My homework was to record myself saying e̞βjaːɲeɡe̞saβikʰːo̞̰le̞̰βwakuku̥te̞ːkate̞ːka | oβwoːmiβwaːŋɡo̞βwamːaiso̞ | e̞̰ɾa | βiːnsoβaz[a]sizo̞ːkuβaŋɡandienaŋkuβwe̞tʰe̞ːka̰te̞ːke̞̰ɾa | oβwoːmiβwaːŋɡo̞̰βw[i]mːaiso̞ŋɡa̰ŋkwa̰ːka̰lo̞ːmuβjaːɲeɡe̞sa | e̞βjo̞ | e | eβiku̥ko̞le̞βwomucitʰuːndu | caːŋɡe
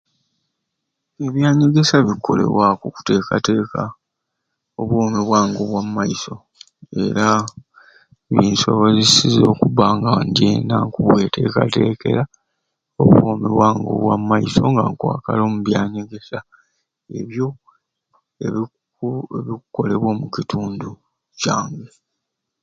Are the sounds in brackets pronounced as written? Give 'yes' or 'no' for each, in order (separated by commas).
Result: no, no